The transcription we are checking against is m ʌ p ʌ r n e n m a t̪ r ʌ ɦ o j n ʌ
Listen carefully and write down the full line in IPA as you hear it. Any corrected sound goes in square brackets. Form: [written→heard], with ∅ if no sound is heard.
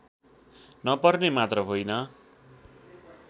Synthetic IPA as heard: [m→n] ʌ p ʌ r n e [n→∅] m a t̪ r ʌ ɦ o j n ʌ